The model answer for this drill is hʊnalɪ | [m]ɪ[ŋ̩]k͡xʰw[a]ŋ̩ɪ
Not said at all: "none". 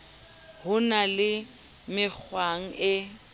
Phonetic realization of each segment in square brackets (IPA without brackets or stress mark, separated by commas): m, none, a